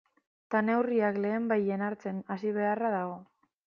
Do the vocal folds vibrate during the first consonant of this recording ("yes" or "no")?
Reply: no